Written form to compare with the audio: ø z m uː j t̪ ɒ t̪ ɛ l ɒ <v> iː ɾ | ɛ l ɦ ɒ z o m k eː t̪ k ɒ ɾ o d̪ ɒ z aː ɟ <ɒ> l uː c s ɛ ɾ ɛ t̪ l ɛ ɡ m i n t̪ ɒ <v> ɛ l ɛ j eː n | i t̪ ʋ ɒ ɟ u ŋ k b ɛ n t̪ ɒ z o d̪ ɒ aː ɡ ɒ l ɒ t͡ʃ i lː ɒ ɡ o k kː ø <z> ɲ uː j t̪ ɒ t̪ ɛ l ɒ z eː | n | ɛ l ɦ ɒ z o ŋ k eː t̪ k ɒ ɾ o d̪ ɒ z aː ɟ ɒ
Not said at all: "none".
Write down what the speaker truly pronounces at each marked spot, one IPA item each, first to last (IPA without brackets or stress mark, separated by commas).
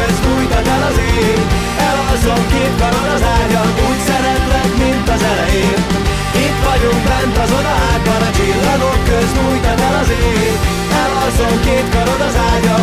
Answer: z, ɒ, z, z